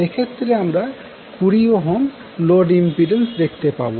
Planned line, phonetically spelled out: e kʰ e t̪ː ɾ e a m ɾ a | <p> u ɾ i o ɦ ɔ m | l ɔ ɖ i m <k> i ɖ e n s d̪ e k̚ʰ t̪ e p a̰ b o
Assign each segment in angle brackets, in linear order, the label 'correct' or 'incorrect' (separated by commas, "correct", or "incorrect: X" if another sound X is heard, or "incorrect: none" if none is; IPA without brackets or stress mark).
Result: incorrect: k, incorrect: p